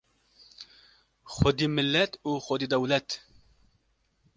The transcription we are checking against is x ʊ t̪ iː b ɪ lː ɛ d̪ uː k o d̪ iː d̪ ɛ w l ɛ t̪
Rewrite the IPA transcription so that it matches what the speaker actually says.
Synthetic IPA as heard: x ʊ d̪ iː m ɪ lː ɛ t̪ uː x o d̪ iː d̪ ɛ w l ɛ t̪